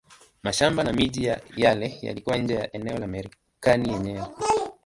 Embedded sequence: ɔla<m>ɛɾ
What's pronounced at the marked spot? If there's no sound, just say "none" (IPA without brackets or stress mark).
m